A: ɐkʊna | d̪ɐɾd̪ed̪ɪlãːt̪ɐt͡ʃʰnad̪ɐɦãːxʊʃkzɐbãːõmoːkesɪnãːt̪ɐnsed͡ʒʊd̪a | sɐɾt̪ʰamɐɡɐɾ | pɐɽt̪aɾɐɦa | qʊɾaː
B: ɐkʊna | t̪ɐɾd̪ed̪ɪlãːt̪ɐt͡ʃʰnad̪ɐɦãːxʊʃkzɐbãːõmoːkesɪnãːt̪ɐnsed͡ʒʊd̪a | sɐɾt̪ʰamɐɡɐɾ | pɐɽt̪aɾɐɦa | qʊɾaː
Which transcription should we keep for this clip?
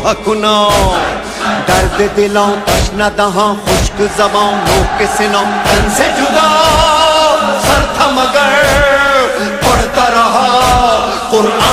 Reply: A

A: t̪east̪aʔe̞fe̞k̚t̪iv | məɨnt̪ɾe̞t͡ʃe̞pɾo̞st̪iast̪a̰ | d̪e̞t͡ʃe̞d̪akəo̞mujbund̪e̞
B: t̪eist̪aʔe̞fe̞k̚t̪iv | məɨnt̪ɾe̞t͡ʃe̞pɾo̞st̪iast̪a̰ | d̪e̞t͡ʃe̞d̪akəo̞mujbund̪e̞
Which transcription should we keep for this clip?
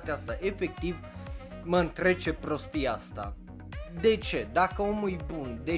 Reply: A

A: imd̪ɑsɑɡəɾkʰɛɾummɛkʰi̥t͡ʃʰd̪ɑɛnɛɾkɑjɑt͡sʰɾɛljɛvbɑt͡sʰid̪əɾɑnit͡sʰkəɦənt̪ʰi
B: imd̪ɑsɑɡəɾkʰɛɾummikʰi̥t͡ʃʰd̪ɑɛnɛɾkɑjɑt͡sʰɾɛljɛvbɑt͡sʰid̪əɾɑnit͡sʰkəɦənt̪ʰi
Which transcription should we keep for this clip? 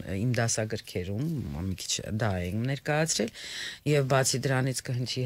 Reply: B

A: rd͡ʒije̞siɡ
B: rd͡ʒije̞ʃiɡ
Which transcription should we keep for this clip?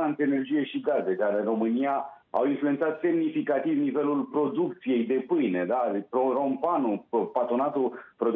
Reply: B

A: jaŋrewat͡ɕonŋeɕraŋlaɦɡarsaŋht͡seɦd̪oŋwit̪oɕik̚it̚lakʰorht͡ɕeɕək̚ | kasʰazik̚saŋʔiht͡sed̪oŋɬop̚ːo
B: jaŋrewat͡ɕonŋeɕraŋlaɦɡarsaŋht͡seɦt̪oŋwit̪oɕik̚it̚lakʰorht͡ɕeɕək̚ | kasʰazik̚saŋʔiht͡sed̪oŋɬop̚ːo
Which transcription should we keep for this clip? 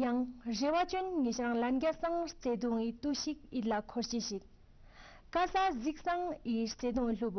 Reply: A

